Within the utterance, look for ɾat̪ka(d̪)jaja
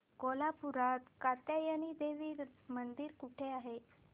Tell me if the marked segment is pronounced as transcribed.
no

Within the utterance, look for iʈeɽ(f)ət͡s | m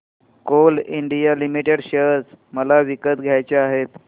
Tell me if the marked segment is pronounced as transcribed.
no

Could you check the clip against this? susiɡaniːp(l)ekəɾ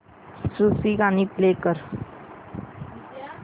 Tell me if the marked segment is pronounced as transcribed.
yes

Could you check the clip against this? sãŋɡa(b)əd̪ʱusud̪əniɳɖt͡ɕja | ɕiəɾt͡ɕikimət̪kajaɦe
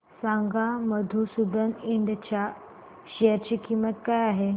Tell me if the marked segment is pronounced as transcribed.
no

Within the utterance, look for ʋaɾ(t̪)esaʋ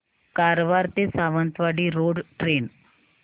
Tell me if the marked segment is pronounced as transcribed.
yes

